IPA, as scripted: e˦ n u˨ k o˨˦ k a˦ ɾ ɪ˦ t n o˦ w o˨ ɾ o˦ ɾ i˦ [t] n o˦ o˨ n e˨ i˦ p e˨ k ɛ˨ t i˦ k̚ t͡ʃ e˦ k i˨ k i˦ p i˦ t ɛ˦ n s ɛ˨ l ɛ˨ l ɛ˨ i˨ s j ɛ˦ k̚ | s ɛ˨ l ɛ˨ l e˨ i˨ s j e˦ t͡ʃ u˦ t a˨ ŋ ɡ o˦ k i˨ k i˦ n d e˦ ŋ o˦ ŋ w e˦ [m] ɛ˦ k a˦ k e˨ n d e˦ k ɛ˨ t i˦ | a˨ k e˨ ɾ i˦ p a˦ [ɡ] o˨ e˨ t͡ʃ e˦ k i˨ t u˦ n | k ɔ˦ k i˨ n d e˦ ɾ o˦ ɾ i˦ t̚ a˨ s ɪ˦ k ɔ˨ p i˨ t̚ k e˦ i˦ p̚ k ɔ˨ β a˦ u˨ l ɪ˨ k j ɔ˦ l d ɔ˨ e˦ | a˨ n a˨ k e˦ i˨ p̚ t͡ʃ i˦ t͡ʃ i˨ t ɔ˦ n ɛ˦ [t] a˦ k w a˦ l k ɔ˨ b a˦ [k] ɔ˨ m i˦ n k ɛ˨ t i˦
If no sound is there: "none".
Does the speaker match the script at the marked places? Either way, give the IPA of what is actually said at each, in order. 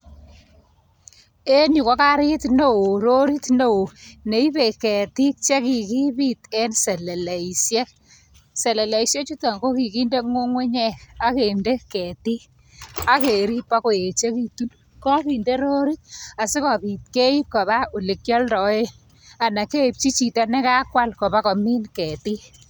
t, ɲ, k, k, k

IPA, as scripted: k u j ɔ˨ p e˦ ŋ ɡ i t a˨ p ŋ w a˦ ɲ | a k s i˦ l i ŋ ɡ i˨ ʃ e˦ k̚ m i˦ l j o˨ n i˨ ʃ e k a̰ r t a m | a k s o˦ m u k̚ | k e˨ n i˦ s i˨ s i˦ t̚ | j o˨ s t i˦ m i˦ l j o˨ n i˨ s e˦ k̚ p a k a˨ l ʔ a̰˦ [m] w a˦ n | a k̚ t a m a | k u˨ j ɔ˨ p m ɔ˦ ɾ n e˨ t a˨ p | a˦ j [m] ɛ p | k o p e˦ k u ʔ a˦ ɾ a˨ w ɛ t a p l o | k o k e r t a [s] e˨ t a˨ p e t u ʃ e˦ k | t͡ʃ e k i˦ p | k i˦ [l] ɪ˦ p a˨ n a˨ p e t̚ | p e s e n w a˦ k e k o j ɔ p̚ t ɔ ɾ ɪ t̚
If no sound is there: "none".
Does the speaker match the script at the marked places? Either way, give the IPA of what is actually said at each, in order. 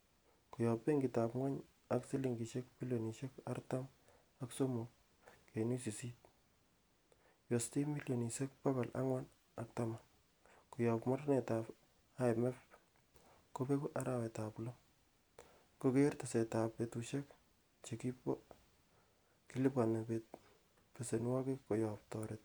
ŋ, m, s, l

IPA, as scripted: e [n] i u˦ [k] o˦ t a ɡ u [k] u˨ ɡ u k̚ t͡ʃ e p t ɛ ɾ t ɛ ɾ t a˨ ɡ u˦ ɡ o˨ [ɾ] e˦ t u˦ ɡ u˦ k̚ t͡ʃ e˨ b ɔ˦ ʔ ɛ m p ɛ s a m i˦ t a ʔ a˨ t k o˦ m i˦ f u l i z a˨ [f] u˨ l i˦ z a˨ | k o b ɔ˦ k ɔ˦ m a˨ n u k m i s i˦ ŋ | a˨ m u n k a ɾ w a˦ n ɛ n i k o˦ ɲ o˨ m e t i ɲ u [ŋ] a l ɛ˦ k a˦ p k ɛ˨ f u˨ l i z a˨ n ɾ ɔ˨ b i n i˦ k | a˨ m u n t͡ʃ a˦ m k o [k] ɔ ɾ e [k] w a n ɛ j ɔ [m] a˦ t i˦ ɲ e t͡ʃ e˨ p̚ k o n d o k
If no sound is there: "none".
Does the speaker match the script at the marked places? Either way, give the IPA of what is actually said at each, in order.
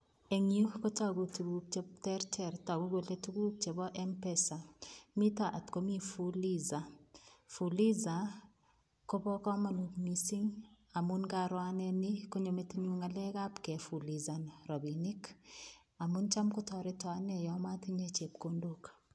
ŋ, k, t, l, f, ŋ, t, t, m

